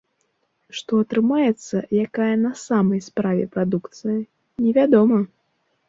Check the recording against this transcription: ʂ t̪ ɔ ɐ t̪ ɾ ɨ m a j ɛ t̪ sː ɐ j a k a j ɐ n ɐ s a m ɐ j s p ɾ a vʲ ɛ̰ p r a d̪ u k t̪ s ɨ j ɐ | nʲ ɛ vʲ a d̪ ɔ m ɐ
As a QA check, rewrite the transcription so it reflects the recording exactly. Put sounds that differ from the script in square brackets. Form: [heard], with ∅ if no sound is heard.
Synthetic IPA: ʂ t̪ ɔ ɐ t̪ ɾ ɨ m a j ɛ t̪ sː ɐ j a k a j ɐ n ɐ s a m ɐ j s p ɾ a vʲ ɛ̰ p [ɾ] a d̪ u k t̪ s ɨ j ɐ | nʲ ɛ vʲ a d̪ ɔ m ɐ